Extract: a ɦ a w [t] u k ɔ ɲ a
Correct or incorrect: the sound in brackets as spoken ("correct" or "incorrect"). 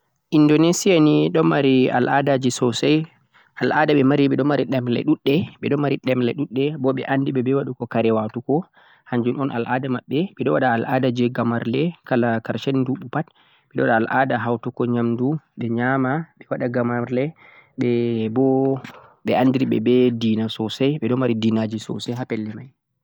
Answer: correct